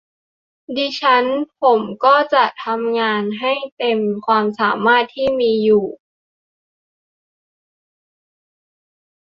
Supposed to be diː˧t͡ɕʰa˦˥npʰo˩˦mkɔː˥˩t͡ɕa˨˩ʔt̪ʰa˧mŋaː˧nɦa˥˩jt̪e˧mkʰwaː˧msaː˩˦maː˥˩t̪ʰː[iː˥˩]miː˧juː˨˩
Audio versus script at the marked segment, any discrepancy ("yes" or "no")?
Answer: no